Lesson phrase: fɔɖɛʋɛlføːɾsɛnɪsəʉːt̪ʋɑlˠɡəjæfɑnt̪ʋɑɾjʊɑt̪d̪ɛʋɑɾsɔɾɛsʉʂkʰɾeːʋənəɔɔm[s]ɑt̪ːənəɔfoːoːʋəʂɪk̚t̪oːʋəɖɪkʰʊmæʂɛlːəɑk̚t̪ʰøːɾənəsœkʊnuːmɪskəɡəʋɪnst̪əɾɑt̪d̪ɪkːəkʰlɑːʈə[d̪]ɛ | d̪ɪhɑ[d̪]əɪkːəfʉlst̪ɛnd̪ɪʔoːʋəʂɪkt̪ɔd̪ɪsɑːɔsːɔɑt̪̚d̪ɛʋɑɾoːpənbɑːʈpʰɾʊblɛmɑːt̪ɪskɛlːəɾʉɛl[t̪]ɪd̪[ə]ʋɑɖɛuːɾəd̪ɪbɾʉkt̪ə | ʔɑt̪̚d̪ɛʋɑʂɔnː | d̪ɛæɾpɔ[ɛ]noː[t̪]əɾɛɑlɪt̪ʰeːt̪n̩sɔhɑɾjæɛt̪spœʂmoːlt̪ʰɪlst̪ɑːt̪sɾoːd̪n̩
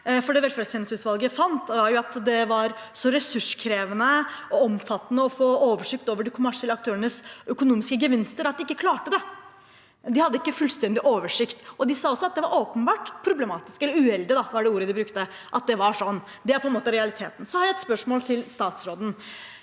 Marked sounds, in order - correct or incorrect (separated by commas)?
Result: incorrect, correct, incorrect, incorrect, incorrect, correct, correct